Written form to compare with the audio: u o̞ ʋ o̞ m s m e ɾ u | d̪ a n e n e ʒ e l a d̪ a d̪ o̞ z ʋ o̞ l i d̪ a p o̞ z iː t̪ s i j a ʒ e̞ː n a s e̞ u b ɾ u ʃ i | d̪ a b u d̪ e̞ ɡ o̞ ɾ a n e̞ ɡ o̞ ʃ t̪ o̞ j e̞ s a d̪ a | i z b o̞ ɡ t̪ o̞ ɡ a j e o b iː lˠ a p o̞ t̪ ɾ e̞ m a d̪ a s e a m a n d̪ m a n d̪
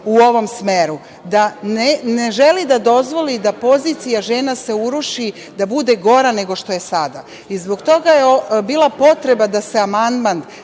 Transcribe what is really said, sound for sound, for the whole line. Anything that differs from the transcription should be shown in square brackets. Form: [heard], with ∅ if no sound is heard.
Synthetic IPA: u o̞ ʋ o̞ m s m e ɾ u | d̪ a n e n e ʒ e l [i] d̪ a d̪ o̞ z ʋ o̞ l i d̪ a p o̞ z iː t̪ s i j a ʒ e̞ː n a s e̞ u [∅] ɾ u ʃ i | d̪ a b u d̪ e̞ ɡ o̞ ɾ a n e̞ ɡ o̞ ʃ t̪ o̞ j e̞ s a d̪ a | i z b o̞ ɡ t̪ o̞ ɡ a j e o b iː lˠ a p o̞ t̪ ɾ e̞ [b] a d̪ a s e a m a n d̪ m a n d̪